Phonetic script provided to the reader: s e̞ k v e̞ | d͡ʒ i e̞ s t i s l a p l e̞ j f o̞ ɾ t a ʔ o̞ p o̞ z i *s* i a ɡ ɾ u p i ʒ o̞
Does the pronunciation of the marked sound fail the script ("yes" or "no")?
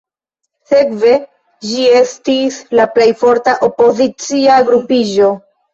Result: yes